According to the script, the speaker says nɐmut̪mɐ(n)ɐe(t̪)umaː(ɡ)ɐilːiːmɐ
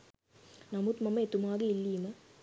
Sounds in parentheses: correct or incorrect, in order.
incorrect, correct, correct

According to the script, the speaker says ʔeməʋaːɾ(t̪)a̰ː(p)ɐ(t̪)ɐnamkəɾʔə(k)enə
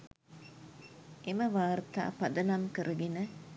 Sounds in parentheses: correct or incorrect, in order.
correct, correct, incorrect, incorrect

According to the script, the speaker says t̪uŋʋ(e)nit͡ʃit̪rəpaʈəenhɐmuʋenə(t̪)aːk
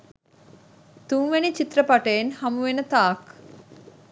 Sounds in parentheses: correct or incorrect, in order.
correct, correct

